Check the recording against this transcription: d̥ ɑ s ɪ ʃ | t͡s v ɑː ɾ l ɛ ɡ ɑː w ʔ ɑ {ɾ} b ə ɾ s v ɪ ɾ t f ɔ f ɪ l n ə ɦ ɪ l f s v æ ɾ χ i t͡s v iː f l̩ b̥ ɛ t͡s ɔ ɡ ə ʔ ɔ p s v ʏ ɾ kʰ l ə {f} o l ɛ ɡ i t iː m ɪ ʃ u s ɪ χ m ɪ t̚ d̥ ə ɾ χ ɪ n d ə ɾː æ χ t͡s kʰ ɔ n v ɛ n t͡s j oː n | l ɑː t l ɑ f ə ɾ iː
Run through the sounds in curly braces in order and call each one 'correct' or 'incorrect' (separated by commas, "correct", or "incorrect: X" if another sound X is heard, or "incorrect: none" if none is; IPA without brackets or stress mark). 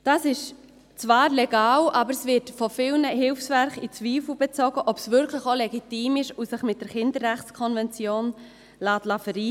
incorrect: none, incorrect: χ